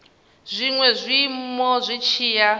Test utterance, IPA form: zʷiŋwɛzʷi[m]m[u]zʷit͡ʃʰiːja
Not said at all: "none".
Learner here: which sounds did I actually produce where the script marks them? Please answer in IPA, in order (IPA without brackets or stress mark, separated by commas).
m, ɔ